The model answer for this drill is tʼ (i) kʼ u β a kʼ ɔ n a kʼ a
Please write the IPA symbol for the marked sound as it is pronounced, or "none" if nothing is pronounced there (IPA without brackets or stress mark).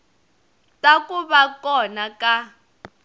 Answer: a